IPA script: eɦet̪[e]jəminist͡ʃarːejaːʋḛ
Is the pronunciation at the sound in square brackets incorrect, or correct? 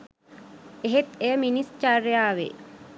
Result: correct